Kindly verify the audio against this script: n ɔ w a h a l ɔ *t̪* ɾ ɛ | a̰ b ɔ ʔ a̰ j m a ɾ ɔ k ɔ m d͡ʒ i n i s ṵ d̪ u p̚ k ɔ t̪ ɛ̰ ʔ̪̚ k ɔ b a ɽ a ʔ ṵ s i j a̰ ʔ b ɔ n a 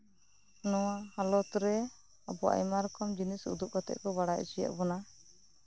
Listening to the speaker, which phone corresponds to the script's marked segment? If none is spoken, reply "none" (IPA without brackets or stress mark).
t̪